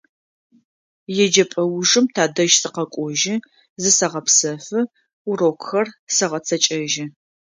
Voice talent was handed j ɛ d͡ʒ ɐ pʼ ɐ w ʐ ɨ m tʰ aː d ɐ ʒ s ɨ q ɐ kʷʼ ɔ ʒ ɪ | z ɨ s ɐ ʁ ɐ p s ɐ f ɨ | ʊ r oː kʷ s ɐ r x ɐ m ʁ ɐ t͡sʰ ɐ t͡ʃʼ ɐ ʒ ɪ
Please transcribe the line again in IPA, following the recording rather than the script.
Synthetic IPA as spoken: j ɛ d͡ʒ ɐ pʼ ɐ w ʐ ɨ m tʰ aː d ɐ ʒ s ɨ q ɐ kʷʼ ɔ ʒ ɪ | z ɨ s ɐ ʁ ɐ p s ɐ f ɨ | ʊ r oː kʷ x ɐ r s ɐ ʁ ɐ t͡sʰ ɐ t͡ʃʼ ɐ ʒ ɪ